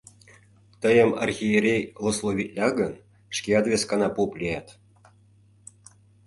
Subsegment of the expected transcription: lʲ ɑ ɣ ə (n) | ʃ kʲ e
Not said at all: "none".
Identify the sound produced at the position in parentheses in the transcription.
n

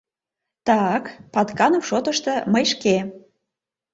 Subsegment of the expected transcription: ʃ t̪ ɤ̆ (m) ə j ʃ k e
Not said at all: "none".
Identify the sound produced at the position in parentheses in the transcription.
m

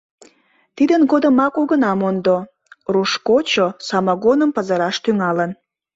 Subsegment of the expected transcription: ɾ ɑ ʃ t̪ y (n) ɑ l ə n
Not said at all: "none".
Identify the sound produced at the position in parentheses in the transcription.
ŋ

